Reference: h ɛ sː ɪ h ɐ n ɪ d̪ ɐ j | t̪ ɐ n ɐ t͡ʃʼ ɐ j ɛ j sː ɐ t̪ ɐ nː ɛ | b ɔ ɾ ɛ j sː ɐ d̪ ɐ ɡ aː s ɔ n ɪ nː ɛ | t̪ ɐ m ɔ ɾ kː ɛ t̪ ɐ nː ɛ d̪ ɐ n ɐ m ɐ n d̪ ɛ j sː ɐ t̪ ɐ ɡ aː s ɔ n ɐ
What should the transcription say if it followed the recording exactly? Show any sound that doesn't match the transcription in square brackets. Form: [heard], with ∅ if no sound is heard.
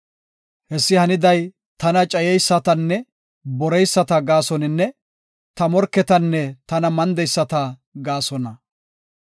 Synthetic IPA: h ɛ sː ɪ h ɐ n ɪ d̪ ɐ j | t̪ ɐ n ɐ t͡ʃʼ ɐ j ɛ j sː ɐ t̪ ɐ nː ɛ | b ɔ ɾ ɛ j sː ɐ [t̪] ɐ ɡ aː s ɔ n ɪ nː ɛ | t̪ ɐ m ɔ ɾ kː ɛ t̪ ɐ nː ɛ [t̪] ɐ n ɐ m ɐ n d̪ ɛ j sː ɐ t̪ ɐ ɡ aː s ɔ n ɐ